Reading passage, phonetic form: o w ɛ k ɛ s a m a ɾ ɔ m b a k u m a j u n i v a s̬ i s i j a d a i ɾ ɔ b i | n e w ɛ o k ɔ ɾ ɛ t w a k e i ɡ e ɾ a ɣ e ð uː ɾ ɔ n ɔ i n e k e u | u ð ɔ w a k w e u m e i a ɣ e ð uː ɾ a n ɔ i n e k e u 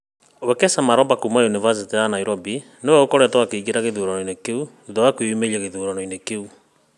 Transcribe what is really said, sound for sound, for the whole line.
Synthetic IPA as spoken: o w ɛ k ɛ s a m a ɾ ɔ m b a k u m a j u n i v a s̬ i t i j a n a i ɾ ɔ b i | n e w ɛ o k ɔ ɾ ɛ t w a k e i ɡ e ɾ a ɣ e ð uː ɾ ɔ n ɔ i n e k e u | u ð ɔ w a k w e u m e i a ɣ e ð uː ɾ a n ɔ i n e k e u